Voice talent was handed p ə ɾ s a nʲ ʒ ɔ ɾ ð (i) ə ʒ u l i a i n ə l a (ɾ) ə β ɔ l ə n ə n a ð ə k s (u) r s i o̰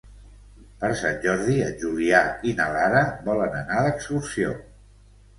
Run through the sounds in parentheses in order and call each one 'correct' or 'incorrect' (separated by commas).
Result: correct, correct, correct